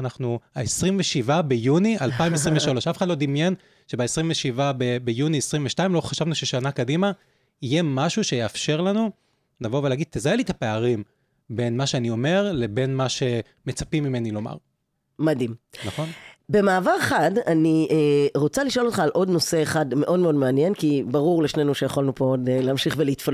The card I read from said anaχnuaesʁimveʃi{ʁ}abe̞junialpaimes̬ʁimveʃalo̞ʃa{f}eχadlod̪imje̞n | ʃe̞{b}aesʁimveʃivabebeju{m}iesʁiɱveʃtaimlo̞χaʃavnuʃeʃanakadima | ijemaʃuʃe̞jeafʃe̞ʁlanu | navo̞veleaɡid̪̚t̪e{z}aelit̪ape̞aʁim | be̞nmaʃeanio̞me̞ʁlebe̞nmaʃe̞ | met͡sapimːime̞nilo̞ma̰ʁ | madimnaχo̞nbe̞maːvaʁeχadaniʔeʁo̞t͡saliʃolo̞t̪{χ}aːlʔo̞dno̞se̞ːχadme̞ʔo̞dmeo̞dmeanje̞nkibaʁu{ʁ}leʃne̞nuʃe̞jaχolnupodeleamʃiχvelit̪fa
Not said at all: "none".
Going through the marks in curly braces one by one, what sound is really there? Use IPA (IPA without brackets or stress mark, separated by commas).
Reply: v, f, b, n, z, χ, ʁ